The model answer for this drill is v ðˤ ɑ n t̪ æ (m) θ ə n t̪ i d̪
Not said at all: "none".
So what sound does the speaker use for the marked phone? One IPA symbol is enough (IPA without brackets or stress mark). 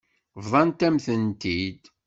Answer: m